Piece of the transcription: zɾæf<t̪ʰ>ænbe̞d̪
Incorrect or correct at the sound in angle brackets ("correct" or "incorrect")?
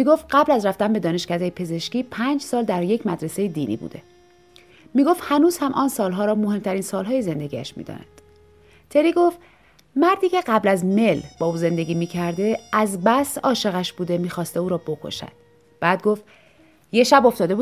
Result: incorrect